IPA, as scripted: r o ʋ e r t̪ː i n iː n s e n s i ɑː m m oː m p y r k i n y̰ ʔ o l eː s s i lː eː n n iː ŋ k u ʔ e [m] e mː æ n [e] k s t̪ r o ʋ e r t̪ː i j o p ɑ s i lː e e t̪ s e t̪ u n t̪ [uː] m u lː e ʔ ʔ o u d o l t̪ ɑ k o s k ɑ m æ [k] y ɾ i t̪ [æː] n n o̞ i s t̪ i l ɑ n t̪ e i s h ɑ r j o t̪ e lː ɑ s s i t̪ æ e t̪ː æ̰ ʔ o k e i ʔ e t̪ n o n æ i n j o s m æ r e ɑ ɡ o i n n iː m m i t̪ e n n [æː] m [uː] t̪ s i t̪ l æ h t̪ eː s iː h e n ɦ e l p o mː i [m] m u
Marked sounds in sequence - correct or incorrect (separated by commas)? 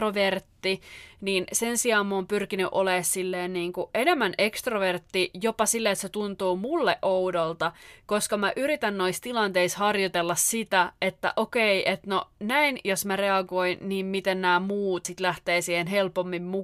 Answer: incorrect, correct, correct, incorrect, incorrect, correct, correct, correct